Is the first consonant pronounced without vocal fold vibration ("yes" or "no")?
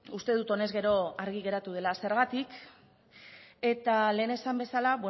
yes